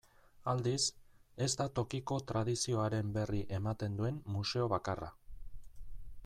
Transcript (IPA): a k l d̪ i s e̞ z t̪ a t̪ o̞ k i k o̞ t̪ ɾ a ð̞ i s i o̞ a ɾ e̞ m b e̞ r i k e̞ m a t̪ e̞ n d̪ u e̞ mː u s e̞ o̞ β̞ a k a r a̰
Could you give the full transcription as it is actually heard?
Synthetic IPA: a l d̪ i s e̞ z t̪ a t̪ o̞ k i k o̞ t̪ ɾ a ð̞ i s i o̞ a ɾ e̞ m b e̞ r i ʔ e̞ m a t̪ e̞ n d̪ u e̞ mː u s e̞ o̞ β̞ a k a r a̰

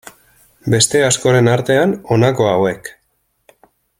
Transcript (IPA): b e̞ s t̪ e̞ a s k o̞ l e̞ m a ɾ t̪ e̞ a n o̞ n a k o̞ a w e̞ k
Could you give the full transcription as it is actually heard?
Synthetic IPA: b e̞ s t̪ e̞ a s k o̞ ɾ e̞ n a ɾ t̪ e̞ a n o̞ n a k o̞ a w e̞ k

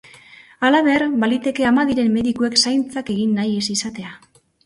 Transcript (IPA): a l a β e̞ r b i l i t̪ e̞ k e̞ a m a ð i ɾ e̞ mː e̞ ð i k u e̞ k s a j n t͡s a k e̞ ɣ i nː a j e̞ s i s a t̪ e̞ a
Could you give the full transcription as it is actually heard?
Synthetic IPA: a l a β e̞ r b a l i t̪ e̞ k e̞ a m a ð i ɾ e̞ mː e̞ ð i k u e̞ k s a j n t͡s a k e̞ ɣ i nː a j e̞ s i s a t̪ e̞ a

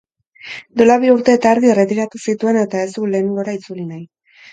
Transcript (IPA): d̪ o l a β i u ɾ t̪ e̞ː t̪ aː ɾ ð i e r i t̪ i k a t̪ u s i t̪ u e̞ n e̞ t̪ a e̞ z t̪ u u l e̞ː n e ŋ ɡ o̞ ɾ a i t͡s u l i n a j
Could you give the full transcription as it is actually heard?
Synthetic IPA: d̪ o l a β i u ɾ t̪ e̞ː t̪ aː ɾ ð i e r e t̪ i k a t̪ u s i t̪ u e̞ n e̞ t̪ a e̞ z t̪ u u l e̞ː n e ŋ ɡ o̞ ɾ a i t͡s u l i n a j

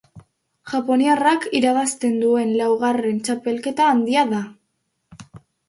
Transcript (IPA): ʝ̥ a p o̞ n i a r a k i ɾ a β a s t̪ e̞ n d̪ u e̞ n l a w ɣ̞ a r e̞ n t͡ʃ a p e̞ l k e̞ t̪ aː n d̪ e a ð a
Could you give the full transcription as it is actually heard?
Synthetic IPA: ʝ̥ a p o̞ n i a r a k i ɾ a β a s t̪ e̞ n d̪ u e̞ n l a w ɣ̞ a r e̞ n t͡ʃ a p e̞ l k e̞ t̪ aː n d̪ i a ð a

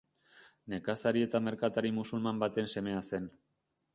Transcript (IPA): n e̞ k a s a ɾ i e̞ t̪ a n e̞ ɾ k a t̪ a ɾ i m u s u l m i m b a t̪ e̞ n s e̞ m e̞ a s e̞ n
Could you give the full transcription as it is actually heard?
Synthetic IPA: n e̞ k a s a ɾ i e̞ t̪ a m e̞ ɾ k a t̪ a ɾ i m u s u l m a m b a t̪ e̞ n s e̞ m e̞ a s e̞ n

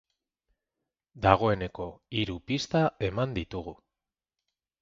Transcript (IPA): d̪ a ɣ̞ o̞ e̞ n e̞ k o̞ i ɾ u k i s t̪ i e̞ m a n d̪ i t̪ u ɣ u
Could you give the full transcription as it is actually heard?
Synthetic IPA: d̪ a ɣ̞ o̞ e̞ n e̞ k o̞ i ɾ u p i s t̪ a e̞ m a n d̪ i t̪ u ɣ u

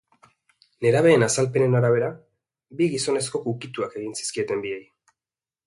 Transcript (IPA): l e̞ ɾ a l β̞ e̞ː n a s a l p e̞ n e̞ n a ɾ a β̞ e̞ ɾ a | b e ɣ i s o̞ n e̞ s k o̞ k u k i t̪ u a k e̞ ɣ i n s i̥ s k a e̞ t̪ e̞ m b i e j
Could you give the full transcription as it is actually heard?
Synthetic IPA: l e̞ ɾ a β̞ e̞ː n a s a l p e̞ n e̞ n a ɾ a β̞ e̞ ɾ a | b i ɣ i s o̞ n e̞ s k o̞ k u k i t̪ u a k e̞ ɣ i n s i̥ s k i e̞ t̪ e̞ m b i e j

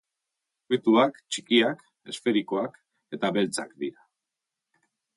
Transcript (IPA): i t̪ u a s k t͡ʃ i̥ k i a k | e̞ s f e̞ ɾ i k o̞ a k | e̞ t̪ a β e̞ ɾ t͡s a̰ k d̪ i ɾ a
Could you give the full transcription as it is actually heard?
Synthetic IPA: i t̪ u a k t͡ʃ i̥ k i a k | e̞ s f e̞ ɾ i k o̞ a k | e̞ t̪ a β e̞ l t͡s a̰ k d̪ i ɾ a

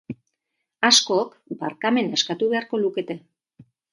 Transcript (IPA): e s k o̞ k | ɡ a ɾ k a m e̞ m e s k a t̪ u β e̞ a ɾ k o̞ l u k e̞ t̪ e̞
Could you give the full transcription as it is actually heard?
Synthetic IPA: a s k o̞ k | b a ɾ k a m e̞ n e s k a t̪ u β e̞ a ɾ k o̞ l u k e̞ t̪ e̞

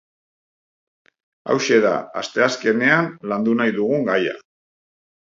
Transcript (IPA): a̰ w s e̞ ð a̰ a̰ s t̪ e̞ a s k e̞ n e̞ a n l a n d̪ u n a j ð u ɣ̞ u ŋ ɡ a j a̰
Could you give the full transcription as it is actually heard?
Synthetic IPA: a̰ w ʃ e̞ ð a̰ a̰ s t̪ e̞ a s k e̞ n e̞ a n l a n d̪ u n a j ð u ɣ̞ u ŋ ɡ a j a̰

